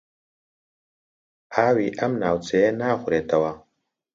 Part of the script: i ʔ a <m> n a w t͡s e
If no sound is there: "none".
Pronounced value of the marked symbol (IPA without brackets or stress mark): m